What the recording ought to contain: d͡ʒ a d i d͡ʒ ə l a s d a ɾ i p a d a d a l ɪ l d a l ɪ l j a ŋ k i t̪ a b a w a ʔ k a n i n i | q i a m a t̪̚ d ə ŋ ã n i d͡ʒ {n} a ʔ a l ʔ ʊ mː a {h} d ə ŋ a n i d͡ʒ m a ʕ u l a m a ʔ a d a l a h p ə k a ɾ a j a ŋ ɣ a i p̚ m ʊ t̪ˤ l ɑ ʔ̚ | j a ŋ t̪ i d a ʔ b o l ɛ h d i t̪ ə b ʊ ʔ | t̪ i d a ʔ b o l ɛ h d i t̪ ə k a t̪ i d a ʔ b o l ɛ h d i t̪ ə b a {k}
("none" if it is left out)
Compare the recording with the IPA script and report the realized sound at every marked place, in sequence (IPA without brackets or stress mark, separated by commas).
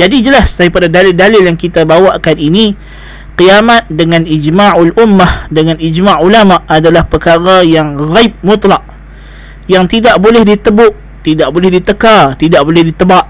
m, h, ʔ